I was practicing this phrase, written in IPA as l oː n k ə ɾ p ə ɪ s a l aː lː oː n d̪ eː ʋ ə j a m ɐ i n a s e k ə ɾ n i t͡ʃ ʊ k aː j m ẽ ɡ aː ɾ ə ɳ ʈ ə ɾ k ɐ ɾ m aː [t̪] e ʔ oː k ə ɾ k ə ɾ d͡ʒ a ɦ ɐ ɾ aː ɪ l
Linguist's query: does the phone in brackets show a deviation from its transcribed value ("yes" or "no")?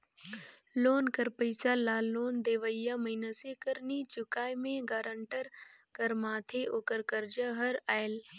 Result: yes